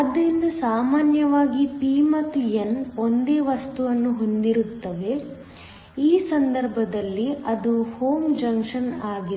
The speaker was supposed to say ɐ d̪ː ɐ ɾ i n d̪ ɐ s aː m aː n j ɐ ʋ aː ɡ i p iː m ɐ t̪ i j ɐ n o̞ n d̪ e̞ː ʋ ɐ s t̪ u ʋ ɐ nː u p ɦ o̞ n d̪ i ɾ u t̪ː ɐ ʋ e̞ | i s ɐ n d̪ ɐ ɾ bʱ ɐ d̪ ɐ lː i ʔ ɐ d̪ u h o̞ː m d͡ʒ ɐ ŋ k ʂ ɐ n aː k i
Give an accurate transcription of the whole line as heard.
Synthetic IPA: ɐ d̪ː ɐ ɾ i n d̪ ɐ s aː m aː n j ɐ ʋ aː ɡ i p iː m ɐ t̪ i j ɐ n o̞ n d̪ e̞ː ʋ ɐ s t̪ u ʋ ɐ nː u ɦ o̞ n d̪ i ɾ u t̪ː ɐ ʋ e̞ | iː s ɐ n d̪ ɐ ɾ bʱ ɐ d̪ ɐ lː i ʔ ɐ d̪ u h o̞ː m d͡ʒ ɐ ŋ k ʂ ɐ n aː ɡ i